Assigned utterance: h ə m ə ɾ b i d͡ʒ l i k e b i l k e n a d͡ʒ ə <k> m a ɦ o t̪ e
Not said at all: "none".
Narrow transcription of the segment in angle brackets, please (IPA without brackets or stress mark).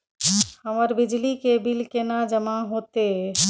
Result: none